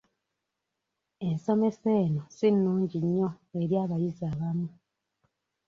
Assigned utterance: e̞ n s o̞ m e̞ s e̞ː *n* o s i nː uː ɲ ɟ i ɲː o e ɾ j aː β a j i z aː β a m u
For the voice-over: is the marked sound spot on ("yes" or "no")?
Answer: yes